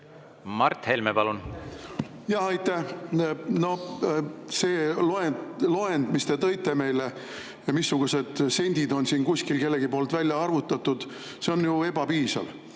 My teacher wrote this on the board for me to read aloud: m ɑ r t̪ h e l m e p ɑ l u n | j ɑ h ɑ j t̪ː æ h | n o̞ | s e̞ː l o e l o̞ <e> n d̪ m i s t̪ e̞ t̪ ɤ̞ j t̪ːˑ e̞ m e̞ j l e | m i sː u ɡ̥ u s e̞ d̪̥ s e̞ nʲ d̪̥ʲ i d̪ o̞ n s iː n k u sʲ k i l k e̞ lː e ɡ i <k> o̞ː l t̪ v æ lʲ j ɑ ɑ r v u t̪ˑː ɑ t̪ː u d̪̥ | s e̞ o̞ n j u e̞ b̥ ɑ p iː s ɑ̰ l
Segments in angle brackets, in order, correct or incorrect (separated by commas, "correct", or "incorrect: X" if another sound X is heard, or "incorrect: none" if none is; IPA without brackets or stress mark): correct, incorrect: p